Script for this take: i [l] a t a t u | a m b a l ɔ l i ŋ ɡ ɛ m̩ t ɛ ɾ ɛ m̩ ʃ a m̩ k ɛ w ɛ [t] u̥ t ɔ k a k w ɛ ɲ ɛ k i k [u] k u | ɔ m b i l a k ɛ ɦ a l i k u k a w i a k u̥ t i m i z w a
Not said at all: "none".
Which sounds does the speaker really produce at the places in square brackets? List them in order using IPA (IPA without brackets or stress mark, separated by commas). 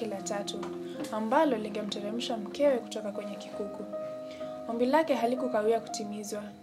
l, k, u